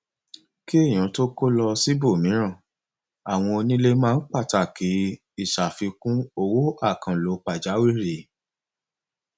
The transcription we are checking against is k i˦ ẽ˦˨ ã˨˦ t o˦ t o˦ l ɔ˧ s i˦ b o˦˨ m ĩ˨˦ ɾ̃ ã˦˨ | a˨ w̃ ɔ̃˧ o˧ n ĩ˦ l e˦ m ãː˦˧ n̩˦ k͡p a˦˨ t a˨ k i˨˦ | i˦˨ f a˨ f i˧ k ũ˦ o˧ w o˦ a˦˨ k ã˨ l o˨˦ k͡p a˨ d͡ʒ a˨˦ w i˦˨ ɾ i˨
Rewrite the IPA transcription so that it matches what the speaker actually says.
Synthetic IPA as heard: k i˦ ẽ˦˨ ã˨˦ t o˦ k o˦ l ɔ˧ s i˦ b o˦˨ m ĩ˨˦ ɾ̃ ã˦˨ | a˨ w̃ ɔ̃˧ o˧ n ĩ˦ l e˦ m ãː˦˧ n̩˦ k͡p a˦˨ t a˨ k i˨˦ | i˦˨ ʃ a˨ f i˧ k ũ˦ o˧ w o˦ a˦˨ k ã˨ l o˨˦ k͡p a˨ d͡ʒ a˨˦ w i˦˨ ɾ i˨